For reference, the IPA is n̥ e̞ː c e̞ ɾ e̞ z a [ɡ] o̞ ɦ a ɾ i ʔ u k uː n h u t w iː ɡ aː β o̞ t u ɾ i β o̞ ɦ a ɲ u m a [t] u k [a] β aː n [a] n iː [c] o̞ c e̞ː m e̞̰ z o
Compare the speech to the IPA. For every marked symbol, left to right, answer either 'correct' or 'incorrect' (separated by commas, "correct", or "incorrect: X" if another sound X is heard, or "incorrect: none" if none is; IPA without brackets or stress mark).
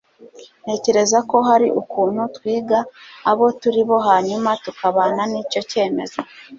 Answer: incorrect: k, correct, correct, correct, correct